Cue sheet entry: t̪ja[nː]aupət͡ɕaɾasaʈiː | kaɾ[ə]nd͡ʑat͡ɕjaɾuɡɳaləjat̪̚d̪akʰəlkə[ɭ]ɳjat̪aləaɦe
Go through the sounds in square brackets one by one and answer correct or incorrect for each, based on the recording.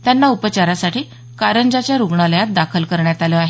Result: correct, correct, incorrect: ɾ

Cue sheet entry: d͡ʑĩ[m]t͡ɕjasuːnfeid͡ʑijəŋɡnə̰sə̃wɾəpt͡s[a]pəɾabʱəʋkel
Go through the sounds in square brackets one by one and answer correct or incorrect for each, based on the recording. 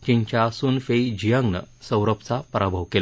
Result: incorrect: ɲ, correct

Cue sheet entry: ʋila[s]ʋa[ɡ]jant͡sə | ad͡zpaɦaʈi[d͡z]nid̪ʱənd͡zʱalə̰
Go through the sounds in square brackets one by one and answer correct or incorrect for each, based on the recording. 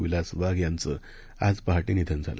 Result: correct, correct, incorrect: none

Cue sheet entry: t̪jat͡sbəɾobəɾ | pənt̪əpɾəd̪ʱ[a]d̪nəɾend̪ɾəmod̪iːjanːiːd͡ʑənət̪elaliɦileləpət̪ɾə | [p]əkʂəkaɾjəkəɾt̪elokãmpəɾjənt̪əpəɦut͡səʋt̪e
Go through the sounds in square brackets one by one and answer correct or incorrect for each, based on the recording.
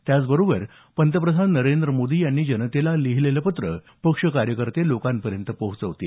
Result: correct, correct

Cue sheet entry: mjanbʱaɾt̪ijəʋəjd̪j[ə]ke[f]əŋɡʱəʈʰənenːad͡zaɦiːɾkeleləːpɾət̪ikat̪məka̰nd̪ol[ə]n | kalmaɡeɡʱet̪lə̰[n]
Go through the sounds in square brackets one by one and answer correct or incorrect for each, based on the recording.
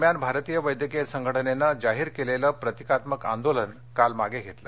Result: correct, incorrect: s, correct, incorrect: none

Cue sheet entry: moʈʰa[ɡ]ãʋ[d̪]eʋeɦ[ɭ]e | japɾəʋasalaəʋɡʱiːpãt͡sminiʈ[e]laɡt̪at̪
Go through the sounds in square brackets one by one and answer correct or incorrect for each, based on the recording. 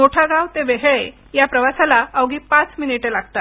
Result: correct, incorrect: t̪, correct, correct

